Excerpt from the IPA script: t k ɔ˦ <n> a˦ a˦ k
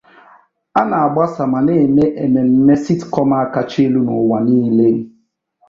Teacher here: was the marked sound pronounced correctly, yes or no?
no